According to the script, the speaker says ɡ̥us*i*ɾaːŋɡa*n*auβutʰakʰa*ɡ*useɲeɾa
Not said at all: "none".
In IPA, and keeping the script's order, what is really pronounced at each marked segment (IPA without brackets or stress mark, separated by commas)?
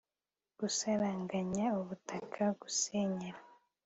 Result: a, ɲ, ɡ